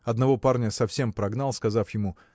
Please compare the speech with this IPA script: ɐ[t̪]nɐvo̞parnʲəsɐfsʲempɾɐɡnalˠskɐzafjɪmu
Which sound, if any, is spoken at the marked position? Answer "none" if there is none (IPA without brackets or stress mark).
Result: d̪